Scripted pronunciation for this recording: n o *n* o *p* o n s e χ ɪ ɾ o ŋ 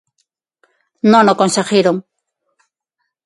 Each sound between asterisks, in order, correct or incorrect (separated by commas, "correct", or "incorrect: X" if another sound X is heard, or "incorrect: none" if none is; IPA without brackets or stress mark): correct, incorrect: k